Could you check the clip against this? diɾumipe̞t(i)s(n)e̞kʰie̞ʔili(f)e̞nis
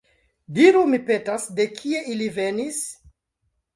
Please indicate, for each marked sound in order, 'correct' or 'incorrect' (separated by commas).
incorrect, incorrect, incorrect